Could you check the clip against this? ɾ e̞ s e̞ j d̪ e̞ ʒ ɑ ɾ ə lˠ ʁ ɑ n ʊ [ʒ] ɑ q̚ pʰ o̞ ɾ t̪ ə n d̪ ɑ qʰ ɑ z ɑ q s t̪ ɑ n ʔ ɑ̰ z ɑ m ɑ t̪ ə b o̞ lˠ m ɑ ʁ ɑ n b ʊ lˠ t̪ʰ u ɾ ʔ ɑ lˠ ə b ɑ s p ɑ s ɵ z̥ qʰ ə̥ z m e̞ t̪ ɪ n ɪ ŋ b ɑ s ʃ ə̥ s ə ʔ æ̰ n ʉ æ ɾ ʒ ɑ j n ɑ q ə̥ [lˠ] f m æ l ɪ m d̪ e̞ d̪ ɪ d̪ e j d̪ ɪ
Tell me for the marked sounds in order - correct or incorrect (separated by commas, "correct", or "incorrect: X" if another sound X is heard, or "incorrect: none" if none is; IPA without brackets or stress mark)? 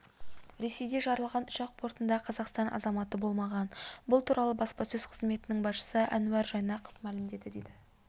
incorrect: ʃ, incorrect: none